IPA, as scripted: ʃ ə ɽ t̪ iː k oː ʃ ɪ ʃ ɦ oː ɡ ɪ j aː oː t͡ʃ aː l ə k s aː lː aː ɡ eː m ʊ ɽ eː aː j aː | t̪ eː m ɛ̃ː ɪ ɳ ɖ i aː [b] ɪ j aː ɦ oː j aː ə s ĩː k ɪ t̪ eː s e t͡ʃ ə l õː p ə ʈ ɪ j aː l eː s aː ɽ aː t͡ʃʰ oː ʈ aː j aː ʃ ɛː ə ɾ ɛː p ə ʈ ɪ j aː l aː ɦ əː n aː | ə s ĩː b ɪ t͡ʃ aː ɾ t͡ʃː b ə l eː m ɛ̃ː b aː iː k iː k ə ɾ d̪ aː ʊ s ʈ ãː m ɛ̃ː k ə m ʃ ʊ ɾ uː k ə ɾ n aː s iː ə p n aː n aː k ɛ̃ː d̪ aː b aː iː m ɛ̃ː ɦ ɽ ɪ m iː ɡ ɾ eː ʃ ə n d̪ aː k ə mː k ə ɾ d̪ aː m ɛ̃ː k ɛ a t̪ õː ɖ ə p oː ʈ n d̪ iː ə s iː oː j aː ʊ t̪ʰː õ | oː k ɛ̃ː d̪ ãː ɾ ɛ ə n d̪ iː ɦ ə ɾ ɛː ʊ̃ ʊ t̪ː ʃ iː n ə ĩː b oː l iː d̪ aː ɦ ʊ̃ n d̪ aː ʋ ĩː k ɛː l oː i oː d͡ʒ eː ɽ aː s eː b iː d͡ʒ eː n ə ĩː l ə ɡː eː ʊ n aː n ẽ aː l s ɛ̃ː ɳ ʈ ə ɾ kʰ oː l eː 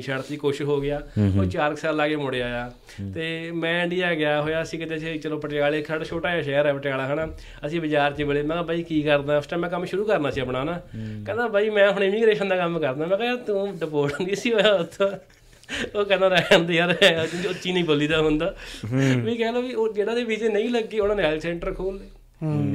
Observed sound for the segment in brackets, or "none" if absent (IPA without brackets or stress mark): ɡ